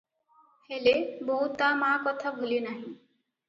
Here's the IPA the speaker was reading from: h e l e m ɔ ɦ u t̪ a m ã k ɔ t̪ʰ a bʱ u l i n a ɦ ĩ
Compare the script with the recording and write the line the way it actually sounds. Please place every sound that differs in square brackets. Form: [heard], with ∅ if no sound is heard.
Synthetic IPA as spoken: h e l e [b] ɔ ɦ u t̪ a m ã k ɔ t̪ʰ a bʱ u l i n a ɦ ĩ